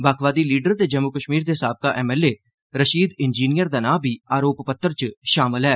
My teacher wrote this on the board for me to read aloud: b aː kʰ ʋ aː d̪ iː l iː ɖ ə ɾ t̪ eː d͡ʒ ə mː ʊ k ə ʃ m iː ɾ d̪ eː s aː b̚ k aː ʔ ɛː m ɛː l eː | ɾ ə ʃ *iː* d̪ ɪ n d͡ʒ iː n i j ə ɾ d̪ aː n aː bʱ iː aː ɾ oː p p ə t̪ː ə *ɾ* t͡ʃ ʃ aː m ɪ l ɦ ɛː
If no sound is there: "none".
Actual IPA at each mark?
iː, ɾ

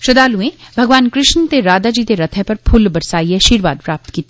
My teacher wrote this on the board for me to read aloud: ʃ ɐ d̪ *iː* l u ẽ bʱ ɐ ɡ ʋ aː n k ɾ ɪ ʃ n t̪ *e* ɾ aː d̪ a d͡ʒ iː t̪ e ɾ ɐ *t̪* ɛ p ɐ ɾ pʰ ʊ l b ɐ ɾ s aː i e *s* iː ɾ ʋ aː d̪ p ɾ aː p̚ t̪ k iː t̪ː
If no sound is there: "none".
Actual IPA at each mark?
aː, e, t̪ʰ, ʃ

